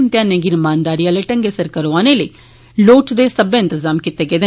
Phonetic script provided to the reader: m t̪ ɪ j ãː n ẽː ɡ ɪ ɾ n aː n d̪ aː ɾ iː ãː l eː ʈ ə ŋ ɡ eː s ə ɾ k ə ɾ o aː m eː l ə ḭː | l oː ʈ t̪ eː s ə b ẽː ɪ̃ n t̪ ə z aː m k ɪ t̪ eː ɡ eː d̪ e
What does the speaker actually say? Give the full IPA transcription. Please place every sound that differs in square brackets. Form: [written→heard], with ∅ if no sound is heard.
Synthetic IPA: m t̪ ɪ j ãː n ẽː ɡ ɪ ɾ [n→m] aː n d̪ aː ɾ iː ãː l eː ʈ ə ŋ ɡ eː s ə ɾ k ə ɾ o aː [m→n] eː l ə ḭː | l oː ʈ [t̪→d̪] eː s ə b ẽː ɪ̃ n t̪ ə z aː m k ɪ t̪ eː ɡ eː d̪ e